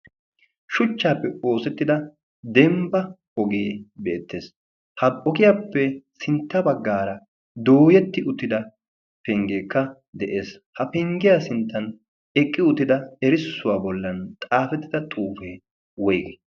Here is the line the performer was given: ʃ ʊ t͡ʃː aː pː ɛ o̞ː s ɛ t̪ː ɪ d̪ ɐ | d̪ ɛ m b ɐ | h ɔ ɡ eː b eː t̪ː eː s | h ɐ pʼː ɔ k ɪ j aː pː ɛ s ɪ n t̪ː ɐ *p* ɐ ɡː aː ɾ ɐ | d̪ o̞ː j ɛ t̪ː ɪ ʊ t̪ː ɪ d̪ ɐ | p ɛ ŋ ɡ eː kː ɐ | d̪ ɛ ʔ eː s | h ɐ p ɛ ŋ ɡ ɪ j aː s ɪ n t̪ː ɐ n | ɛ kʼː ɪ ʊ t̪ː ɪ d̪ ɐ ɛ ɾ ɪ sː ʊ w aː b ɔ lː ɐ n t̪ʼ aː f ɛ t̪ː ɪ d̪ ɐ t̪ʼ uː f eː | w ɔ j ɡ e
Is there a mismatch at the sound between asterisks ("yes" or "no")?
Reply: yes